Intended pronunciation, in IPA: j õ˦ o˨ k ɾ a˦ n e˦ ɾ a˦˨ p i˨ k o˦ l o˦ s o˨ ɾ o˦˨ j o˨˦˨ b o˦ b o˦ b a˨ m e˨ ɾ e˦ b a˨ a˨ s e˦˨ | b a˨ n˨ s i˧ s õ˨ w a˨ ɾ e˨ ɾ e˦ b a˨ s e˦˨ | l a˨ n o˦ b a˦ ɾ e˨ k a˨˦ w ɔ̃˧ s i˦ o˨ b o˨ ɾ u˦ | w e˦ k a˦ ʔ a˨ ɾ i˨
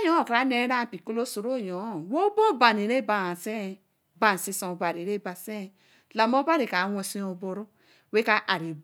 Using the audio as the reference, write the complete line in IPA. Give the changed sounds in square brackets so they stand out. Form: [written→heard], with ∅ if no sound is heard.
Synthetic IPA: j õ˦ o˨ k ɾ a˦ n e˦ ɾ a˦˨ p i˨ k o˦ l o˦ s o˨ ɾ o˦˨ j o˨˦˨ [b→w] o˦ b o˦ b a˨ [m→n] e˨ ɾ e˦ b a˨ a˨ s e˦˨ | b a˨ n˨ s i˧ s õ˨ [w→b] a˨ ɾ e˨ ɾ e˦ b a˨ s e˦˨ | l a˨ [n→m] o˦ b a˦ ɾ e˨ k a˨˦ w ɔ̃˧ s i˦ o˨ b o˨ ɾ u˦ | w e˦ k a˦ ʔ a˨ ɾ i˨